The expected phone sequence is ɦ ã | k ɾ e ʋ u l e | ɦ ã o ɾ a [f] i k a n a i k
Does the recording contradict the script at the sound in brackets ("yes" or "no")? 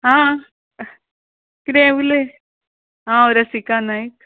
yes